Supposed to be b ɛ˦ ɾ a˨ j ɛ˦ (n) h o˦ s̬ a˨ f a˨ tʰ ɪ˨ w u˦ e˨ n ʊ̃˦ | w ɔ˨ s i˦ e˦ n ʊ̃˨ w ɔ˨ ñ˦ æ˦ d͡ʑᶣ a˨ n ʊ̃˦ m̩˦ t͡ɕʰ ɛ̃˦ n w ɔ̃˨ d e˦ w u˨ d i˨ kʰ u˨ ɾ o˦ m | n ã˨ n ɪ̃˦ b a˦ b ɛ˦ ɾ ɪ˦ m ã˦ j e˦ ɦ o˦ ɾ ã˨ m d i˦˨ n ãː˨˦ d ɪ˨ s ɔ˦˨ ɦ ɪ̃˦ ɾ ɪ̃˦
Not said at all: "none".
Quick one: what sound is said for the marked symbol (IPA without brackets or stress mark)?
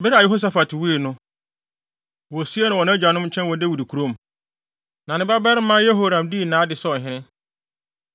none